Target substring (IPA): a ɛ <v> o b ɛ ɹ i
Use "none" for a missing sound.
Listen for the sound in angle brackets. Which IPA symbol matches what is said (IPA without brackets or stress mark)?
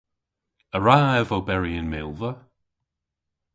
v